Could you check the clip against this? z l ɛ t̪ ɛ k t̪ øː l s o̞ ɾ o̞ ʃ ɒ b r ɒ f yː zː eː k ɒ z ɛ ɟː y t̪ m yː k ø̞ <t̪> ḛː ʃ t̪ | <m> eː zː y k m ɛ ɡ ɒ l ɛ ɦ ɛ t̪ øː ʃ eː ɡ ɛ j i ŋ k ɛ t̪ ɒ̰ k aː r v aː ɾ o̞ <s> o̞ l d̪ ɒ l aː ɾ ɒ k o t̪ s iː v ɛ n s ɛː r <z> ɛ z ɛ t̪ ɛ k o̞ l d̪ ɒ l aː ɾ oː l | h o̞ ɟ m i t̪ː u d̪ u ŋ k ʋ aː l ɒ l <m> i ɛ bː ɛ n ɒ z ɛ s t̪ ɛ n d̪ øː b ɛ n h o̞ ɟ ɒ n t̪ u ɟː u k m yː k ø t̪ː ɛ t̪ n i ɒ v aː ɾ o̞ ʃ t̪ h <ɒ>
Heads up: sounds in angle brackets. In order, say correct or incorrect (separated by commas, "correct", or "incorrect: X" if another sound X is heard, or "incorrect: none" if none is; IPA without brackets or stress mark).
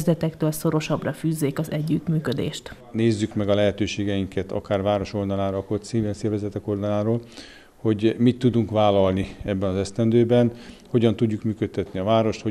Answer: incorrect: d̪, incorrect: n, incorrect: ʃ, incorrect: v, incorrect: n, incorrect: o